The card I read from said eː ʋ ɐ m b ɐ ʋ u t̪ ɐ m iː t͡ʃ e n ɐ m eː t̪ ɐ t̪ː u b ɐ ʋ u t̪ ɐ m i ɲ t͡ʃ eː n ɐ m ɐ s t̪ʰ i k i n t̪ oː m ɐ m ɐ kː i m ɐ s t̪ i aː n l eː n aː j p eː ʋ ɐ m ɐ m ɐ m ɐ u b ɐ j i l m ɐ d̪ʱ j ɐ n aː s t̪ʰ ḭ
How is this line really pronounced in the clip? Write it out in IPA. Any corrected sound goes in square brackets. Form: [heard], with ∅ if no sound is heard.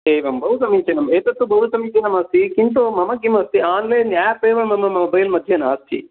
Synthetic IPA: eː ʋ ɐ m b ɐ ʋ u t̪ ɐ m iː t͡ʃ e n ɐ m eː t̪ ɐ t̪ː u b ɐ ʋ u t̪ ɐ m i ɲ t͡ʃ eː n ɐ m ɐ s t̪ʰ i k i n t̪ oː m ɐ m ɐ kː i m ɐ s t̪ i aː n l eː n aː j p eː ʋ ɐ m ɐ m ɐ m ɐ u b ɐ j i l m ɐ d̪ʱ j ɐ n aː s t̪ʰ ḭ